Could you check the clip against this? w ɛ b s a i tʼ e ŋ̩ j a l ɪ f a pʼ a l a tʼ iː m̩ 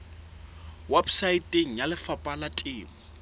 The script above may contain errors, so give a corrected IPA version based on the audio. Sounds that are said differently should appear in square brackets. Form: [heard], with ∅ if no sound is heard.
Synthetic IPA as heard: w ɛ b s a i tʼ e ŋ̩ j a l ɪ f a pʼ a l a tʼ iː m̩